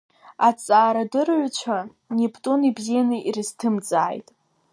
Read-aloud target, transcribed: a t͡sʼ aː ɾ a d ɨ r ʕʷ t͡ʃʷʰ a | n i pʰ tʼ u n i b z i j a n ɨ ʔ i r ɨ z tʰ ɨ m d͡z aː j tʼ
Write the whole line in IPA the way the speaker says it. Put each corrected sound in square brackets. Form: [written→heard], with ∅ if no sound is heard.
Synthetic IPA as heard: a t͡sʼ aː ɾ a d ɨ r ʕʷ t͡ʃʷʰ a | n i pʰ tʼ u n i b z i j a n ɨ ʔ i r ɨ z tʰ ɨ m d͡z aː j tʼ